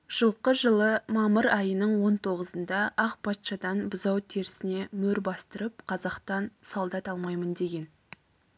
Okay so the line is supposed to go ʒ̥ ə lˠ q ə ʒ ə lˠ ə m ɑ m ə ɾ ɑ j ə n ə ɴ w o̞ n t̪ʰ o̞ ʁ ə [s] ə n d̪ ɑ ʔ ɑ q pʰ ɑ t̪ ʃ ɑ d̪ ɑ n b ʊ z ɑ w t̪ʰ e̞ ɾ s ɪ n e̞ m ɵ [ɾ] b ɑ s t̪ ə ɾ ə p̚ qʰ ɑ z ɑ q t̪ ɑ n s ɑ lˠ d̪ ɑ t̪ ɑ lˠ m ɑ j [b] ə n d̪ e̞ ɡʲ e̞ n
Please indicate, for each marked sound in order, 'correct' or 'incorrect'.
incorrect: z, correct, incorrect: m

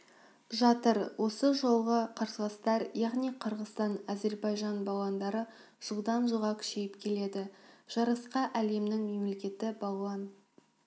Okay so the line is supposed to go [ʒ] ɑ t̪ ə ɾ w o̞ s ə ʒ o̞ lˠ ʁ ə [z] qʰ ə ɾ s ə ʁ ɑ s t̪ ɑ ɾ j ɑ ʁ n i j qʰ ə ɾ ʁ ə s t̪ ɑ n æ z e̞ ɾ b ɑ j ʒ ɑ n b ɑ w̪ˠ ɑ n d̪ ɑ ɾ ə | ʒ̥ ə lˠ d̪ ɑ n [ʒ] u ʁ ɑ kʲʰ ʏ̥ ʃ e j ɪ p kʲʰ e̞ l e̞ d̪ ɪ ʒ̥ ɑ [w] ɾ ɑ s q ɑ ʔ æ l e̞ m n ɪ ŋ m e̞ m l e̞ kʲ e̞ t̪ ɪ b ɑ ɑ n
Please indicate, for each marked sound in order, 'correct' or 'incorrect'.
correct, incorrect: none, correct, incorrect: none

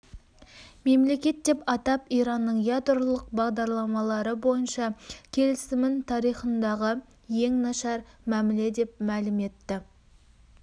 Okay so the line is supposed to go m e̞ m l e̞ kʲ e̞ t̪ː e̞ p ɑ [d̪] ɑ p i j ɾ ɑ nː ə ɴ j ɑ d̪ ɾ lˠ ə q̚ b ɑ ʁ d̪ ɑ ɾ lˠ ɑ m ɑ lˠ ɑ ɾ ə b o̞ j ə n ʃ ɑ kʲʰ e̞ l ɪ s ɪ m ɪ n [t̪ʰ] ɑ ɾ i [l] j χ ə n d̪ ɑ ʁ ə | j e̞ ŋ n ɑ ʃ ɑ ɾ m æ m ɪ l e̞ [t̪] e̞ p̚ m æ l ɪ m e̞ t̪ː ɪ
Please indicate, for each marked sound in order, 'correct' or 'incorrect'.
incorrect: t̪, correct, incorrect: none, incorrect: d̪

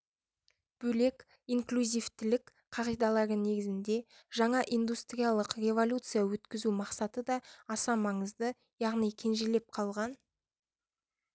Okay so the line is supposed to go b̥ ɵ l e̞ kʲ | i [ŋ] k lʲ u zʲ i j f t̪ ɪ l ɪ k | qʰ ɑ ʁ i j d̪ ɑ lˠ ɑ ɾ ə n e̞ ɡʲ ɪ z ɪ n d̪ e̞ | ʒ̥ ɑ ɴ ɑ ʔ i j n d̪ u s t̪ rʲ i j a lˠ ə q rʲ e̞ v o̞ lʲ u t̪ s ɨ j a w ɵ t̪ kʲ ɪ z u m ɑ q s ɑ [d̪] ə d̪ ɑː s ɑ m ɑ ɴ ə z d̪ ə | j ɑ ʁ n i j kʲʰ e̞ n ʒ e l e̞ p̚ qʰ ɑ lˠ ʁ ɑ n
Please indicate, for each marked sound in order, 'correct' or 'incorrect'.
correct, incorrect: t̪

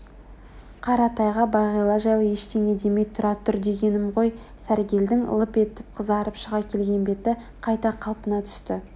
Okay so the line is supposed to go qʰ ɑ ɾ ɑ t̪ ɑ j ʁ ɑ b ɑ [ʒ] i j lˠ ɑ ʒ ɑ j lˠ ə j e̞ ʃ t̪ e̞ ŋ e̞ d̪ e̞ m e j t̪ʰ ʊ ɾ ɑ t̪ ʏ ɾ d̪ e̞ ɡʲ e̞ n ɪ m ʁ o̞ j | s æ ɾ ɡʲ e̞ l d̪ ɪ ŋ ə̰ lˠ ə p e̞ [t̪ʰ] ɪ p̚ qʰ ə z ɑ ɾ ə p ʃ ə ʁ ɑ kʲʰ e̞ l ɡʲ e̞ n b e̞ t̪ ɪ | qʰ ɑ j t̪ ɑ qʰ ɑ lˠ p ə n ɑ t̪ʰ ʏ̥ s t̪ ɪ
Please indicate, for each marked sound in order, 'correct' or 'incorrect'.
incorrect: ʁ, incorrect: t̪

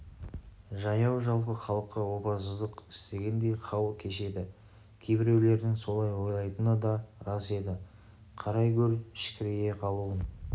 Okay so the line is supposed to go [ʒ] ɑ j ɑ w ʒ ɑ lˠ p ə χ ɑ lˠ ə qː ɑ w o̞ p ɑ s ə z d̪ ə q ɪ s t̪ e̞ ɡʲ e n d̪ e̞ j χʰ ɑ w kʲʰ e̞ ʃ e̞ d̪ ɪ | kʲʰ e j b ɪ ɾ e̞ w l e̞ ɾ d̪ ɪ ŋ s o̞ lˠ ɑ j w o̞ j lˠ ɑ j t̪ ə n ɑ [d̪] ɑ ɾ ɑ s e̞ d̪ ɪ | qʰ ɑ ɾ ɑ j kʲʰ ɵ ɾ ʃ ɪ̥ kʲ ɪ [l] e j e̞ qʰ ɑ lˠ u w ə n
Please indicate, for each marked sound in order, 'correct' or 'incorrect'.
correct, correct, incorrect: ɾ

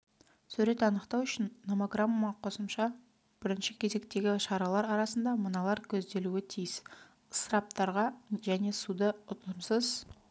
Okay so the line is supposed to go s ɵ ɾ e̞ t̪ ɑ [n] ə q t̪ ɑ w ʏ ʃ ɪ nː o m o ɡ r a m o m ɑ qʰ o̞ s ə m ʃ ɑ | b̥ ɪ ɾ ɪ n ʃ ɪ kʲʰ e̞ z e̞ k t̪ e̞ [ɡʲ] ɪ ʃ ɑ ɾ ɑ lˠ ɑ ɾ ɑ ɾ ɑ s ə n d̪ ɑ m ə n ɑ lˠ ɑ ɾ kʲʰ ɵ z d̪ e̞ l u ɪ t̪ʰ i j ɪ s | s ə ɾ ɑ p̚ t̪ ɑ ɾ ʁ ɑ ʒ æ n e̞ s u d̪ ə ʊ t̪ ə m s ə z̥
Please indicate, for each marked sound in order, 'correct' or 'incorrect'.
correct, correct

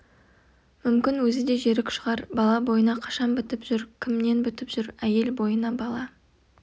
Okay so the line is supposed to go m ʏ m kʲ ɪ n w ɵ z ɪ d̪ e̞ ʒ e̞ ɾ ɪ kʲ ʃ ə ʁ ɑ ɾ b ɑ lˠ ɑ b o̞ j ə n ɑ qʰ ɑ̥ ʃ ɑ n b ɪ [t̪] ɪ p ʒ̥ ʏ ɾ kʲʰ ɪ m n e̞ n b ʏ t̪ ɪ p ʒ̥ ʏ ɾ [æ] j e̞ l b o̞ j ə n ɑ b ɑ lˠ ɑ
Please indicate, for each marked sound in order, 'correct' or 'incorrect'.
correct, correct

